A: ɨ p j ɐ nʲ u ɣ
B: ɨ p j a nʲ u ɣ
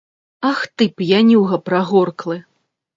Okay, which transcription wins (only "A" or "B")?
B